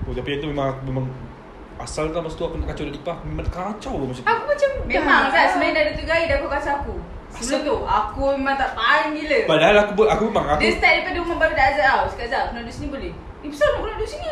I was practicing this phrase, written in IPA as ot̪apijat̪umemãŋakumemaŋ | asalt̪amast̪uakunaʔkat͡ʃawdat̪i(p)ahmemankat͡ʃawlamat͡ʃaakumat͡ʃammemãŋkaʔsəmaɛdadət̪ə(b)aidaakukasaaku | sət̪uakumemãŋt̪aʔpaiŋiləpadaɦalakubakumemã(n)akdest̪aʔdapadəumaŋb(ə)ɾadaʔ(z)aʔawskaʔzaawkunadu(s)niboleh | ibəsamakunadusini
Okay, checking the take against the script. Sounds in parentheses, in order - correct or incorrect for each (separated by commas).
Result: correct, incorrect, incorrect, incorrect, correct, correct